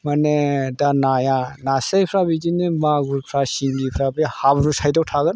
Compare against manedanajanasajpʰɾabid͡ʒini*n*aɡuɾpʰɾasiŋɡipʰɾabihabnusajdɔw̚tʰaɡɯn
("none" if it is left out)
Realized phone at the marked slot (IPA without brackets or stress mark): m